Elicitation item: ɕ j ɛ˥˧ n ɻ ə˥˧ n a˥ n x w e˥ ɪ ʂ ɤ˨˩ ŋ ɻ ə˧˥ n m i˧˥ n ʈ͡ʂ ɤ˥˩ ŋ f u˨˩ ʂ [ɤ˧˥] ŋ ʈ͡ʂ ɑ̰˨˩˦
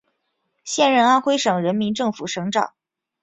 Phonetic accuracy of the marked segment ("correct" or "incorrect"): correct